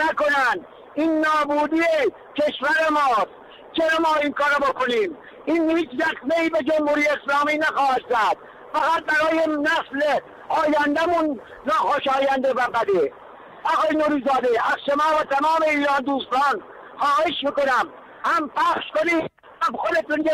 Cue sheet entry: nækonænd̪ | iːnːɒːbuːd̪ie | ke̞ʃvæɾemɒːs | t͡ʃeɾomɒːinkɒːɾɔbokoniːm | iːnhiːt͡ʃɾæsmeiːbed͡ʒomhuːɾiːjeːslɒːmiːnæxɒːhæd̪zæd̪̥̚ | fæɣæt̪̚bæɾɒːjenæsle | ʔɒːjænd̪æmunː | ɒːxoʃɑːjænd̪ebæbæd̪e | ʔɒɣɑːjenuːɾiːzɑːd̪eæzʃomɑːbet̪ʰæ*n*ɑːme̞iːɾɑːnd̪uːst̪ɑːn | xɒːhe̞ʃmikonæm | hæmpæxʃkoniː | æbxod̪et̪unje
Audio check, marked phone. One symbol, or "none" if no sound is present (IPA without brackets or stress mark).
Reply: m